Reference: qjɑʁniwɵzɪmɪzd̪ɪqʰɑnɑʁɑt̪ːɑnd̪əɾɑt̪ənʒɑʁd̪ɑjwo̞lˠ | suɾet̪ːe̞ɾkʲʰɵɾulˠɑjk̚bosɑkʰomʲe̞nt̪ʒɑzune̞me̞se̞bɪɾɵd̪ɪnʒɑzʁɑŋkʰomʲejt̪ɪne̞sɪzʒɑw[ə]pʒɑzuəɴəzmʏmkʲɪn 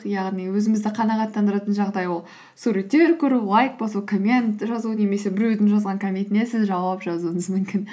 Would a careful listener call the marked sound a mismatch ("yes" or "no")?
yes